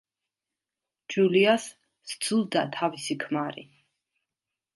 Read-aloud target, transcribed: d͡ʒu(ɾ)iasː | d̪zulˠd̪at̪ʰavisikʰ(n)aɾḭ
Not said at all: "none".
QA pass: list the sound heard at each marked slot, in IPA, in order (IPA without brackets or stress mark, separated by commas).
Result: l, m